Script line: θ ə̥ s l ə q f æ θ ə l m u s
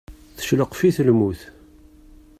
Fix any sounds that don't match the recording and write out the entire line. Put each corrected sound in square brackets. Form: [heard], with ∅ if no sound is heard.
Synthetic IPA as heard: θ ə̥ [ʃ] l ə q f [i] θ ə l m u [θ]